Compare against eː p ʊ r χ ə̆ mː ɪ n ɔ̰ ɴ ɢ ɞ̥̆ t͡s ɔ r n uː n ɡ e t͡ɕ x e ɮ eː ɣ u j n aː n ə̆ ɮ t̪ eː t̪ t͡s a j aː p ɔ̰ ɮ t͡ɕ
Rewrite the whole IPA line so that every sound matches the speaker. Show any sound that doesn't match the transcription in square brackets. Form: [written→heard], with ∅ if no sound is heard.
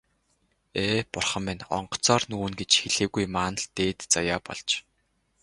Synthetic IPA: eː p ʊ r χ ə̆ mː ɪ n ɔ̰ ɴ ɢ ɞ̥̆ t͡s [ɔ→ɔː] r n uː n ɡ e t͡ɕ x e ɮ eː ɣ u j [n→m] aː n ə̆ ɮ t̪ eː t̪ t͡s a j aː p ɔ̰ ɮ t͡ɕ

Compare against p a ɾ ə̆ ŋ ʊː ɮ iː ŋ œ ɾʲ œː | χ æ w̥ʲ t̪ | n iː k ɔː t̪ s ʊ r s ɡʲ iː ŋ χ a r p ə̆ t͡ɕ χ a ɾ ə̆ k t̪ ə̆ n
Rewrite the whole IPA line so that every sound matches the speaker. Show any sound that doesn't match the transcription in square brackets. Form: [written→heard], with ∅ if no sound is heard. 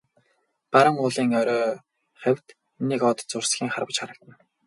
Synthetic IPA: p a ɾ ə̆ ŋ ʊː ɮ iː ŋ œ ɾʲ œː | χ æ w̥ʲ t̪ | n iː k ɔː t̪ [s→t͡s] ʊ r s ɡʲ iː ŋ χ a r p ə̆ t͡ɕ χ a ɾ ə̆ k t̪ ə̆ n

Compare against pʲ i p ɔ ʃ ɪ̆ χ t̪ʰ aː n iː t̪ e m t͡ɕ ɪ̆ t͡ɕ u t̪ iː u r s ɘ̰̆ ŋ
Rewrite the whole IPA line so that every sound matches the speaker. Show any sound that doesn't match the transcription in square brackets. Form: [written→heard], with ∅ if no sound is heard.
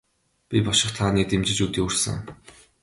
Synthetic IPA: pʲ i p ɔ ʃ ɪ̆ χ t̪ʰ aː n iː t̪ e m t͡ɕ ɪ̆ t͡ɕ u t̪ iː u r s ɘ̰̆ ŋ

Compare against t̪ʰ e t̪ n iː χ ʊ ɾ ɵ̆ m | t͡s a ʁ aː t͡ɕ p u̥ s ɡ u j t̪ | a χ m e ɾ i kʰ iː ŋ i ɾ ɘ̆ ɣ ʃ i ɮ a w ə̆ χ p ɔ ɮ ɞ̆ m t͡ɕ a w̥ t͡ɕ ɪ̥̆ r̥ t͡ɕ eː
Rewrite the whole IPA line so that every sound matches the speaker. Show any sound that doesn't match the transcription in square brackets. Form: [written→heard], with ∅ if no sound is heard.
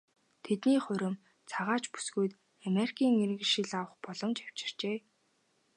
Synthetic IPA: t̪ʰ e t̪ n iː χ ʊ ɾ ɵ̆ m | [t͡s→t͡sʰ] a ʁ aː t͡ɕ p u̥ s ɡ u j t̪ | a [χ→∅] m e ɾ i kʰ iː ŋ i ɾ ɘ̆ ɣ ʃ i ɮ a w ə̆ χ p ɔ ɮ ɞ̆ m t͡ɕ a w̥ t͡ɕ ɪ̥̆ r̥ t͡ɕ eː

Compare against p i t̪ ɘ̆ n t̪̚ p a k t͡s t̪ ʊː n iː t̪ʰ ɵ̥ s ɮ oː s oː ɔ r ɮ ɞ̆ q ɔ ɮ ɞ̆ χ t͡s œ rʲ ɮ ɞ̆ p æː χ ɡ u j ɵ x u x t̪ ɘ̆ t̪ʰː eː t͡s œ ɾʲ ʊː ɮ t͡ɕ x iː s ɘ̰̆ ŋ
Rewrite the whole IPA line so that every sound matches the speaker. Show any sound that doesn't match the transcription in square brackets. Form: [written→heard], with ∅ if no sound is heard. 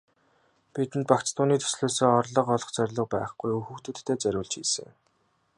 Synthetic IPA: p i t̪ ɘ̆ n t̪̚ p a k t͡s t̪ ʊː n iː t̪ʰ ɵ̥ s ɮ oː s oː ɔ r ɮ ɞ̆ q ɔ ɮ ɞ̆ χ t͡s œ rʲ ɮ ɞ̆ p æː χ ɡ u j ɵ x u x t̪ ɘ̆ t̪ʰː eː t͡s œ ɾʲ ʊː ɮ t͡ɕ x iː s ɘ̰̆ ŋ

